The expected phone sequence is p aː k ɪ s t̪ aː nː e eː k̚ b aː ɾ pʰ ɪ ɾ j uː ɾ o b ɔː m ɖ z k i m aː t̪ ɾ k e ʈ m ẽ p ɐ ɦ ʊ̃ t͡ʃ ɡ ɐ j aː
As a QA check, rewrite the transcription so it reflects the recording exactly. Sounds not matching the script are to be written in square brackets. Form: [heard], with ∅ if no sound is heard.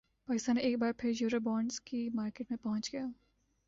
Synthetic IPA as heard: p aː k ɪ s t̪ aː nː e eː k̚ b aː ɾ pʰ ɪ ɾ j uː ɾ o b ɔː [ɳ] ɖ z k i m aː [∅] ɾ k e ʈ m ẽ p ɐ ɦ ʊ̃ t͡ʃ ɡ ɐ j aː